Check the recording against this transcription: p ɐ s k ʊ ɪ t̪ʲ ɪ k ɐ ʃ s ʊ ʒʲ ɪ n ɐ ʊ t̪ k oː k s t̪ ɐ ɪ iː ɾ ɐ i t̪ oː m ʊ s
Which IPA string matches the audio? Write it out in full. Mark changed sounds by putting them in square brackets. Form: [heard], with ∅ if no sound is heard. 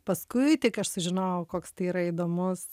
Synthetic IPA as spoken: p ɐ s k ʊ ɪ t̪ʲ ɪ k ɐ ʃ s ʊ ʒʲ ɪ n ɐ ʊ [∅] k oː k s t̪ ɐ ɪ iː ɾ ɐ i [d̪] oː m ʊ s